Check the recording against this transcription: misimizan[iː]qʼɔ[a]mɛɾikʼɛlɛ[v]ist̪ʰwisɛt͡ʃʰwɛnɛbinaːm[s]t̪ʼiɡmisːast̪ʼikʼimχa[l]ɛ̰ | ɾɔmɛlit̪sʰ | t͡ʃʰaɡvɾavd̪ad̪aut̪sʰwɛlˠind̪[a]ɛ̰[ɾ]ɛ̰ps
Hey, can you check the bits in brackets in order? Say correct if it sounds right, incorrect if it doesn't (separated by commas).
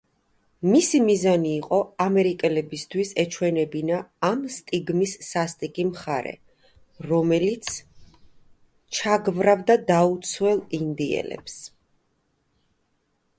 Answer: correct, correct, incorrect, correct, incorrect, incorrect, incorrect